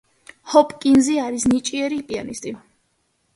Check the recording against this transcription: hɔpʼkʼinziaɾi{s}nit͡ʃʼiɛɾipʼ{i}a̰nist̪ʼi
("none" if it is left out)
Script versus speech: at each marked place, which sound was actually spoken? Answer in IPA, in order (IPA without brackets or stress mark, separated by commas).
s, i